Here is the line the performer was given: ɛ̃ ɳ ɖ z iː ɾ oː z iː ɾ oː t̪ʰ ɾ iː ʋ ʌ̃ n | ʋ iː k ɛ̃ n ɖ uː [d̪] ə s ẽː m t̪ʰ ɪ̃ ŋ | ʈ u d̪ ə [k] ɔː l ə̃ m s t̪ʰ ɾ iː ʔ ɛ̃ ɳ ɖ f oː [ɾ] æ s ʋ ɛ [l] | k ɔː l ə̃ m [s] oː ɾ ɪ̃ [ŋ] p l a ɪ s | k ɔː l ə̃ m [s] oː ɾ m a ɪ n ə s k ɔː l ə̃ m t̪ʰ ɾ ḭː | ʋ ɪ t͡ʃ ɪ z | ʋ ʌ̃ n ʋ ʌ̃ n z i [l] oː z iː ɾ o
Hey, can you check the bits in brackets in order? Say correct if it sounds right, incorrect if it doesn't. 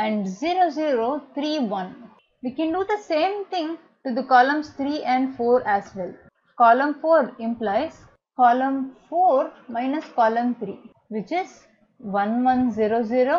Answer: correct, correct, correct, correct, incorrect: f, incorrect: m, incorrect: f, incorrect: ɾ

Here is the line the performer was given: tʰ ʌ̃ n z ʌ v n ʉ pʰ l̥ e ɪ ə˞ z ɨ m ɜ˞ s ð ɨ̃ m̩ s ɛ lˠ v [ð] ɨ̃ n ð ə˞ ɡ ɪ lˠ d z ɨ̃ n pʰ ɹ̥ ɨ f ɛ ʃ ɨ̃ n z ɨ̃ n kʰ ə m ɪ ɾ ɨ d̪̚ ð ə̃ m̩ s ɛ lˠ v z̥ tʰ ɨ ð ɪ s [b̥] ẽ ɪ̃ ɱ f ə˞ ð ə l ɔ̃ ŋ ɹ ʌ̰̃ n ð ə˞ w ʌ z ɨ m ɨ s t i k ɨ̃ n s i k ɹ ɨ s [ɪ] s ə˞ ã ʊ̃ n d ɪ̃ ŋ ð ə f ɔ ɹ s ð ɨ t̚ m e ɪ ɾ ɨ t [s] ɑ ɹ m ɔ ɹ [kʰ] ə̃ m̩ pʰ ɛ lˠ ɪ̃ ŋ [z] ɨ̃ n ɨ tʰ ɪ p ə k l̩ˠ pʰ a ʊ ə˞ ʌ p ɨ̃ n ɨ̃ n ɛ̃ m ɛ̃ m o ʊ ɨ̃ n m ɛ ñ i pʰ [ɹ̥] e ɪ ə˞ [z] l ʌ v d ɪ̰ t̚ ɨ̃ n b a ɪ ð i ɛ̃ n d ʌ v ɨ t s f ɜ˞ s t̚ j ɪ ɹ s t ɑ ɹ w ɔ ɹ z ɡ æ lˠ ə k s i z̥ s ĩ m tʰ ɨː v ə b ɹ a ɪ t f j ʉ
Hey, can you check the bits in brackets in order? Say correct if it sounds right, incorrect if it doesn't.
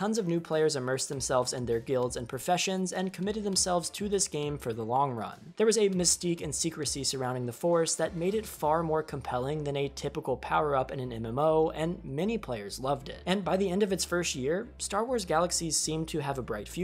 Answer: incorrect: z, incorrect: ɡ̥, incorrect: i, incorrect: f, correct, incorrect: ð, incorrect: l̥, correct

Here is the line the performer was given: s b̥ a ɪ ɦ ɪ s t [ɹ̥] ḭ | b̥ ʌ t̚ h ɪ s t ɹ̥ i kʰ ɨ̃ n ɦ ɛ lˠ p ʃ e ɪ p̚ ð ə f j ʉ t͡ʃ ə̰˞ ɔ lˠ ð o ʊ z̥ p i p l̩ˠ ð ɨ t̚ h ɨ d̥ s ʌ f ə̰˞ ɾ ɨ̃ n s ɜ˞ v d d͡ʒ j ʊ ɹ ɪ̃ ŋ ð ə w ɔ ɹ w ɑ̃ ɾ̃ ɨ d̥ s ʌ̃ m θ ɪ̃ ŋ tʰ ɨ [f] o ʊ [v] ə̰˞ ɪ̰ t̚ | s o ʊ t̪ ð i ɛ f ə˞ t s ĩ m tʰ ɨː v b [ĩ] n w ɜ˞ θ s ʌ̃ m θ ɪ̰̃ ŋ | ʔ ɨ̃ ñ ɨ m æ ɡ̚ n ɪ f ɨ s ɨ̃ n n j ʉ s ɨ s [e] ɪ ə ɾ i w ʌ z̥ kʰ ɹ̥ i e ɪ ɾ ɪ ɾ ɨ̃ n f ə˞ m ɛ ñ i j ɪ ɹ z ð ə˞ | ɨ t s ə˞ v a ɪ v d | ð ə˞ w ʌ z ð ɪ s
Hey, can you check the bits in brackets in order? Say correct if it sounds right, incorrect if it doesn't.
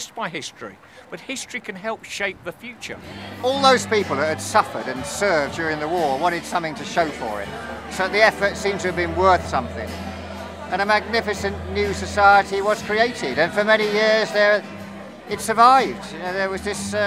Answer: correct, incorrect: ʃ, incorrect: f, incorrect: ɨ̃, incorrect: a

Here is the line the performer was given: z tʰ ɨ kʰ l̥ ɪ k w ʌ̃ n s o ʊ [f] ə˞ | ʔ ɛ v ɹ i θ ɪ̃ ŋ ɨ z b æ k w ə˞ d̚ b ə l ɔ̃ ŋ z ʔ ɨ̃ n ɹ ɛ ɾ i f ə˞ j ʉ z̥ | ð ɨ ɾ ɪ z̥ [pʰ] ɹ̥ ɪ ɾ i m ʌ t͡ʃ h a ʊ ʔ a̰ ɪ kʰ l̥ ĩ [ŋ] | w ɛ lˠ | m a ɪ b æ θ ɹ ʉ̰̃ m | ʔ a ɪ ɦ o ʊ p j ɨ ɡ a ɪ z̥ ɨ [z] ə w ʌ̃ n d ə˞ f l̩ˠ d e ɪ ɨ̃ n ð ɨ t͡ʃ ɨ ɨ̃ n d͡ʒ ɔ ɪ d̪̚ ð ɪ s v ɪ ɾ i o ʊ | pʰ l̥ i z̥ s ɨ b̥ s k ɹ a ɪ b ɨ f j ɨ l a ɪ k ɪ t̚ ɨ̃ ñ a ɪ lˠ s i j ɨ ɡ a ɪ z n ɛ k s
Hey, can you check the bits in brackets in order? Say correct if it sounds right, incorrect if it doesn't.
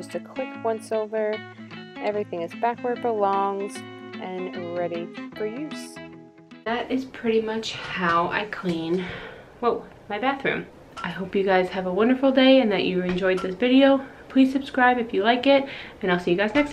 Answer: incorrect: v, correct, incorrect: n, incorrect: v

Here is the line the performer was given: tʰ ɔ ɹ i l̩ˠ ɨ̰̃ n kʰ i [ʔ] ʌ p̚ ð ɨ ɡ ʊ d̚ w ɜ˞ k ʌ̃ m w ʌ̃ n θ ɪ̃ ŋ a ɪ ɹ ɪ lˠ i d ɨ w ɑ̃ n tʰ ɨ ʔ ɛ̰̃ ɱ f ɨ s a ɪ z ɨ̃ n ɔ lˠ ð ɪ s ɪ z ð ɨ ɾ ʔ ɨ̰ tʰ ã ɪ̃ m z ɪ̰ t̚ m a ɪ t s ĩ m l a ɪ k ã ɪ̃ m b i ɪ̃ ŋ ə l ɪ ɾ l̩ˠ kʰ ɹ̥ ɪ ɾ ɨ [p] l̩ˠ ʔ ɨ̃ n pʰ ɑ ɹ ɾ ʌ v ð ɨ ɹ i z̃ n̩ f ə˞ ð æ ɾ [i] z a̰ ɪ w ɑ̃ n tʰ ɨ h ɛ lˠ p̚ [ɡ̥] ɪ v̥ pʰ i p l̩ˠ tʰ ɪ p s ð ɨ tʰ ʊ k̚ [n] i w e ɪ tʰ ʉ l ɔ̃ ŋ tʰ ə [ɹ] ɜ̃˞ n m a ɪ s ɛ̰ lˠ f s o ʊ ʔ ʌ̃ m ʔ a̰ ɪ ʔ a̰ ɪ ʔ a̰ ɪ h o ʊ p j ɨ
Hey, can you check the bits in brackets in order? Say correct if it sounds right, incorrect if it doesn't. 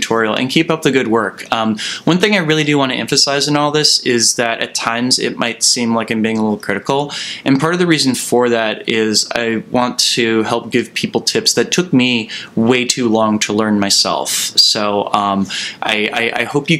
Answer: incorrect: p, incorrect: k, incorrect: ɪ, correct, incorrect: m, incorrect: l

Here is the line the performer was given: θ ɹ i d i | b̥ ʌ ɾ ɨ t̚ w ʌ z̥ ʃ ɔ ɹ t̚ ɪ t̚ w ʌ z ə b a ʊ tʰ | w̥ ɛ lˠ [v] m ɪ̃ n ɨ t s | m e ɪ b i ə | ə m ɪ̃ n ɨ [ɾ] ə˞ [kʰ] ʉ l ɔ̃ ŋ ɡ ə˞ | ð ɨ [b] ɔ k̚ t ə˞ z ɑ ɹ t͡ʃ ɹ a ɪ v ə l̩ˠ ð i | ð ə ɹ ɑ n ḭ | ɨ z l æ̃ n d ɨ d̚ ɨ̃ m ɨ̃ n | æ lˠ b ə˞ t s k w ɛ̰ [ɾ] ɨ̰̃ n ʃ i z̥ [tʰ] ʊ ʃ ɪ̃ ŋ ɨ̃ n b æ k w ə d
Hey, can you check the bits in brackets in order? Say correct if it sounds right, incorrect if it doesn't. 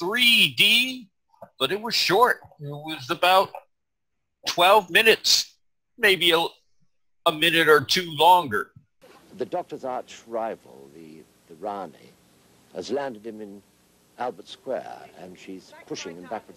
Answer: correct, correct, incorrect: tʰ, incorrect: d, incorrect: ɹ, incorrect: pʰ

